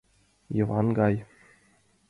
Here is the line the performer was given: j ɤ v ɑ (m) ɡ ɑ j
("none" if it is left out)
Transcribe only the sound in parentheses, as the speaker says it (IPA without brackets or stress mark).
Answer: n